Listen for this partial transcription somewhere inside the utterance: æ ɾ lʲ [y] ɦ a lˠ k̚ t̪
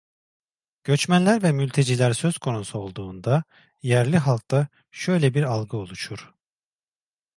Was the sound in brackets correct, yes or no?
no